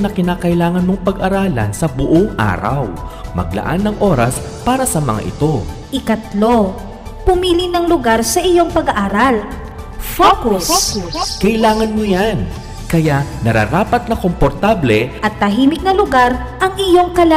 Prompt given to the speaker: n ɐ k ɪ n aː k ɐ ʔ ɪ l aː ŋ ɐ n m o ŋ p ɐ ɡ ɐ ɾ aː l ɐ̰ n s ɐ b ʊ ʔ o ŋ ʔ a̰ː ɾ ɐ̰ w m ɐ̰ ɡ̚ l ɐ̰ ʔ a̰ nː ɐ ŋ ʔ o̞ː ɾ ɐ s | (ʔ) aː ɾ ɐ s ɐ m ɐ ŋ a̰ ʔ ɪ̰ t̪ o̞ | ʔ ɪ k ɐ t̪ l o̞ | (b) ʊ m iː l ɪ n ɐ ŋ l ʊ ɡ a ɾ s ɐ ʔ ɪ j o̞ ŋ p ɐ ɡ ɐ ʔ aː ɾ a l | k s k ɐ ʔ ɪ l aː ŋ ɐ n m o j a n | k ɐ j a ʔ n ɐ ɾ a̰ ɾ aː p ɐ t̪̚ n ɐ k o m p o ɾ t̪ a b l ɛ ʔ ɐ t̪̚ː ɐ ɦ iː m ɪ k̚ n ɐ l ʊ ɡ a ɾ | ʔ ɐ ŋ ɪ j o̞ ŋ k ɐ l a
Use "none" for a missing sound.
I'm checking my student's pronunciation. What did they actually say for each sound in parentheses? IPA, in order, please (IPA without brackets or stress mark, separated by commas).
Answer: p, p